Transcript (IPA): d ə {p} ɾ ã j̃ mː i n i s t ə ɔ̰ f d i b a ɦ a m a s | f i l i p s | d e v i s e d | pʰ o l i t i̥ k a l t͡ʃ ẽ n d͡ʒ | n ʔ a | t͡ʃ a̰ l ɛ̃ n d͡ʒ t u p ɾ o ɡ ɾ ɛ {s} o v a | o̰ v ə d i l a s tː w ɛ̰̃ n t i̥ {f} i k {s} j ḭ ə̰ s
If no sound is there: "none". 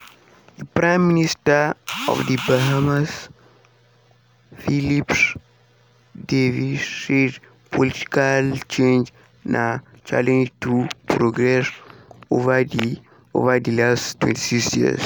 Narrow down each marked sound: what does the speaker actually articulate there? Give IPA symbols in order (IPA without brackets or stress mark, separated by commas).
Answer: p, s, s, s